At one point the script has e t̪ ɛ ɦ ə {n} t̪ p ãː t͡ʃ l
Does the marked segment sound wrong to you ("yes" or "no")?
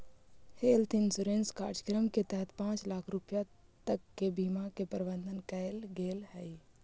yes